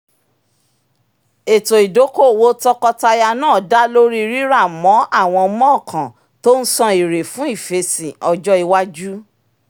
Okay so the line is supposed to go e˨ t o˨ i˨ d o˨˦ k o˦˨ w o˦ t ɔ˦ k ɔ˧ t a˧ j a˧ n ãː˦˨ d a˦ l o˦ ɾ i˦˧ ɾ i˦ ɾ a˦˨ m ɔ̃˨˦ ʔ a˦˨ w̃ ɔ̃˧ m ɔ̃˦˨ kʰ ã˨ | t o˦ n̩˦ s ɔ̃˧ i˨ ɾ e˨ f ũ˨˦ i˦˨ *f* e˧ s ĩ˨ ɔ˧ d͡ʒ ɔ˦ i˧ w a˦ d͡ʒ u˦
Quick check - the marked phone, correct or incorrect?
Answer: correct